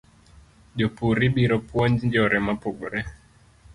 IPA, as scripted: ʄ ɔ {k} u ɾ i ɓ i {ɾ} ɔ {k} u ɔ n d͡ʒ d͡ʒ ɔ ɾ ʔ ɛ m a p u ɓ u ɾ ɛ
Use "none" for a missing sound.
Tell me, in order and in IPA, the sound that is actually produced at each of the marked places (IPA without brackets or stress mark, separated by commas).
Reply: p, ɾ, p